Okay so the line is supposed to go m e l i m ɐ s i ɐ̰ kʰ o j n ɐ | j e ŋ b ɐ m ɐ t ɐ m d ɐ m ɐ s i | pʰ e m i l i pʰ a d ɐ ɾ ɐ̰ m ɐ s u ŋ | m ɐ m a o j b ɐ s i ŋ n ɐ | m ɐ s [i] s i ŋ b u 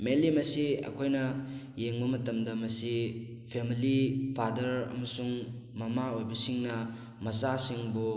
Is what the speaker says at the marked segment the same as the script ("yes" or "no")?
no